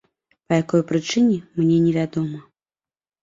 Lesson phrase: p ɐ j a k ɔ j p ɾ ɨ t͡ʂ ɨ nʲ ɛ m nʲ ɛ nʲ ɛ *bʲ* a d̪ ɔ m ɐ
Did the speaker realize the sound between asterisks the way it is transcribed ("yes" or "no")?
no